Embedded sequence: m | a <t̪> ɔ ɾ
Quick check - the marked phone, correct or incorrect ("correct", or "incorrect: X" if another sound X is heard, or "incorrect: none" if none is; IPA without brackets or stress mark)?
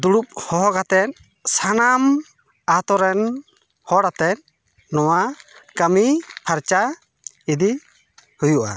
correct